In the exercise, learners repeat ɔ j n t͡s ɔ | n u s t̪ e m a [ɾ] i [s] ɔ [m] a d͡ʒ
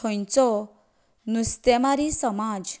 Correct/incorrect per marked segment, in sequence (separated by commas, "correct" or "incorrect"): correct, correct, correct